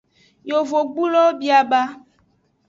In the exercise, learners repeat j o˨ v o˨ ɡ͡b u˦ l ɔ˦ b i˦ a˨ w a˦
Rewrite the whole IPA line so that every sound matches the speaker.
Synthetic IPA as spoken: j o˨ v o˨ ɡ͡b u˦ l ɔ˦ b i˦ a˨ b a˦